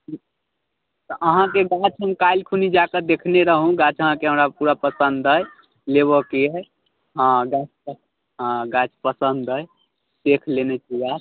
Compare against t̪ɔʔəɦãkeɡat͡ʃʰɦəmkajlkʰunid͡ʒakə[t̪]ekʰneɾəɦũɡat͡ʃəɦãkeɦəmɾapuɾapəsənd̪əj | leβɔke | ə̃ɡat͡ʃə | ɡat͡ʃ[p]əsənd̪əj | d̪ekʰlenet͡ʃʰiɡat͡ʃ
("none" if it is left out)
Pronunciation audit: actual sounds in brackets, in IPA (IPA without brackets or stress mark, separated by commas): d̪, p